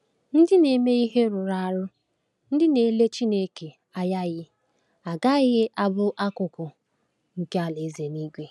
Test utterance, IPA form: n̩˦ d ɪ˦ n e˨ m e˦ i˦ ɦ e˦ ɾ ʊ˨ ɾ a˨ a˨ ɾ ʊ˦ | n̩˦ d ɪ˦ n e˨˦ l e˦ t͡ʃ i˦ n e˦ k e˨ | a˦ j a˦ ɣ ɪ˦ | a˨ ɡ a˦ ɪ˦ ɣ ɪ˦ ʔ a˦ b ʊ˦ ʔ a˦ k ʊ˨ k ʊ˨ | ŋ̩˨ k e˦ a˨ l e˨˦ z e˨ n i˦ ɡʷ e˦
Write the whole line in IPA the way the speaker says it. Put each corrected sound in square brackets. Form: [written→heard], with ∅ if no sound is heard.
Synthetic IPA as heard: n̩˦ d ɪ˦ n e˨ m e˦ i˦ ɦ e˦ ɾ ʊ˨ ɾ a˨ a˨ ɾ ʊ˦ | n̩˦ d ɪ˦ n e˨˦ l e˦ t͡ʃ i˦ n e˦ k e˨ | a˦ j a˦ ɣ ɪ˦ | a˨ ɡ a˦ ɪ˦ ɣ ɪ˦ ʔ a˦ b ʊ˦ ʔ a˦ k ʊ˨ k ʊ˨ | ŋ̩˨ k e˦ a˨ l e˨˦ z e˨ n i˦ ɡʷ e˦